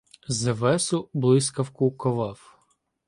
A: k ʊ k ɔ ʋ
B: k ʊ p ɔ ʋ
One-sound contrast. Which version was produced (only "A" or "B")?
A